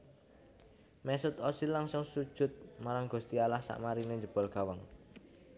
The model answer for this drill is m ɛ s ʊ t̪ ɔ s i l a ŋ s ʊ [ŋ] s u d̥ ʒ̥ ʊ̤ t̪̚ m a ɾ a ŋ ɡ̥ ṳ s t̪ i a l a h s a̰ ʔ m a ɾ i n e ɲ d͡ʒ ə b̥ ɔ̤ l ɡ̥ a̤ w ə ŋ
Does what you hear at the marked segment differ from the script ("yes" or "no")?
no